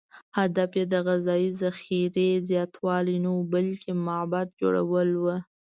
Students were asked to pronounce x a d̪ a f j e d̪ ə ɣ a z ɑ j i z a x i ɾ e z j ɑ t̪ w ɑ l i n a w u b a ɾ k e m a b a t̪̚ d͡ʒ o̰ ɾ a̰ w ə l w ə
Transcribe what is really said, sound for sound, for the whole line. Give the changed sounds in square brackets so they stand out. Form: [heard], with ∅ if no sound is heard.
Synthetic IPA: [h] a d̪ a f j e d̪ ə ɣ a z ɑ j i z a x i ɾ e z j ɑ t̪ w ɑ l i n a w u b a [l] k e m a b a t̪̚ d͡ʒ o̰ [ɽ] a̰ w ə l w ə

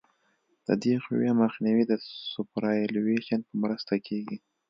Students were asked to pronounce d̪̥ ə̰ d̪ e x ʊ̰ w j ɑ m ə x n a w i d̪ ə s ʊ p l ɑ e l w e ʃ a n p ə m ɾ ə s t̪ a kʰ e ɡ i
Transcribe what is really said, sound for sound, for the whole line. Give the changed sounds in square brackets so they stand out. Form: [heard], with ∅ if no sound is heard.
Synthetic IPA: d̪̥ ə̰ d̪ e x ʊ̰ w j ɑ m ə x n [i] w i d̪ ə s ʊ p [ɾ] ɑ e l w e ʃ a n p ə m ɾ ə s t̪ a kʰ e ɡ i

